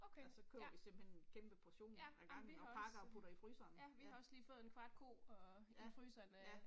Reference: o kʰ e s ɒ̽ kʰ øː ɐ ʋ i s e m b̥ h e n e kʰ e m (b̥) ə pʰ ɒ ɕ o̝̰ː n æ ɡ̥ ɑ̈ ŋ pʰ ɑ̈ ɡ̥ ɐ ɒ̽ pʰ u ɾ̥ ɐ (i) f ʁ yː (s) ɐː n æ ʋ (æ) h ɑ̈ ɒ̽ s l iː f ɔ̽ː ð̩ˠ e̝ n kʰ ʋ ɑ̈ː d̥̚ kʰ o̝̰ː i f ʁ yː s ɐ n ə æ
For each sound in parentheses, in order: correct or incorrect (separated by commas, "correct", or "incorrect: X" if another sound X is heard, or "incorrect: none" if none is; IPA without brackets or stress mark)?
correct, correct, correct, incorrect: i